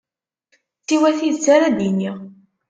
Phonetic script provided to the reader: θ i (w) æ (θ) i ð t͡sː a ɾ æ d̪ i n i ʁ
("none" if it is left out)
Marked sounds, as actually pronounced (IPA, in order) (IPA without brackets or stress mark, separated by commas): w, θ